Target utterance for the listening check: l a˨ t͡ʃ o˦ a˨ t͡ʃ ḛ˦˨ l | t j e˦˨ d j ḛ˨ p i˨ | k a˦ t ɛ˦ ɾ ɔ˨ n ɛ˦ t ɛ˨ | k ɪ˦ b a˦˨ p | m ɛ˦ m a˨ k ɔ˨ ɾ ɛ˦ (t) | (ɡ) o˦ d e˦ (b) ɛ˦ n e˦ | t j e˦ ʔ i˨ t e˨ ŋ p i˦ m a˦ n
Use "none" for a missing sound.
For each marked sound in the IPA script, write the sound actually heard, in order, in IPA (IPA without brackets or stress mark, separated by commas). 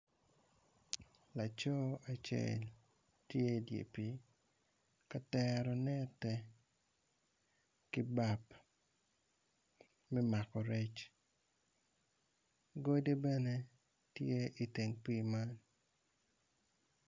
t͡ʃ, ɡ, b